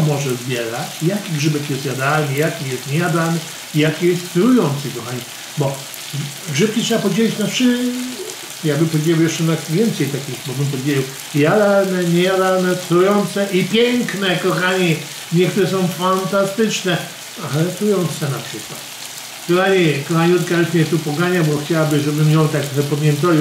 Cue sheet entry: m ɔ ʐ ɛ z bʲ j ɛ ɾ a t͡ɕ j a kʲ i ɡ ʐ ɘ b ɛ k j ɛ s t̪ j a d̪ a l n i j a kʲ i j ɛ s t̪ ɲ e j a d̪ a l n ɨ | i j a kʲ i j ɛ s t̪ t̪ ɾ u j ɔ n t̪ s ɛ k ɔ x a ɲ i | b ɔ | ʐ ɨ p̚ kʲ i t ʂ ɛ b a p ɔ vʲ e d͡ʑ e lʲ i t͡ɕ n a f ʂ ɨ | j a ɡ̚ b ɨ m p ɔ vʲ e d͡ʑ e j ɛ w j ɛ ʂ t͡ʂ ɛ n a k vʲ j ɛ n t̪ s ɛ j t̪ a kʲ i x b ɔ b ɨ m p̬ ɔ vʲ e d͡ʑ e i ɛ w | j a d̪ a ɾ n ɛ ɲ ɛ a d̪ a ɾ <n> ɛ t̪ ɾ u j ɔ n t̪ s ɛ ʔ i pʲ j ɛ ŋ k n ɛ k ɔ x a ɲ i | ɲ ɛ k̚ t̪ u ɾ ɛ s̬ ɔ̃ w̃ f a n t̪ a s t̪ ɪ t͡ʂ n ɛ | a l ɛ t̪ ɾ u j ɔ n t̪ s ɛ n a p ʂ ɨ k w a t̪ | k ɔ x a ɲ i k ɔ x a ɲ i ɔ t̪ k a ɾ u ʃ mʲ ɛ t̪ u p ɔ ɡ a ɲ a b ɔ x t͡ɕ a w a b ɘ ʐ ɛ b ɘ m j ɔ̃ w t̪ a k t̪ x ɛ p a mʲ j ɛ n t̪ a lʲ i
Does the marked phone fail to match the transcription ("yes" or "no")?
no